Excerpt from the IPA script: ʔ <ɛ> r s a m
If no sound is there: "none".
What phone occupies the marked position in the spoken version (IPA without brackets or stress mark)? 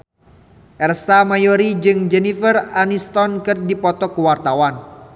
ɛ